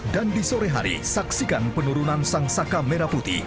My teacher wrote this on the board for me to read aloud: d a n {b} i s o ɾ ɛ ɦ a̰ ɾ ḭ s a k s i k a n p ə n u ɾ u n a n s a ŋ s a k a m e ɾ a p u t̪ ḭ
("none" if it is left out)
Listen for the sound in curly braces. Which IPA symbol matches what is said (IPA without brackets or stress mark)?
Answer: d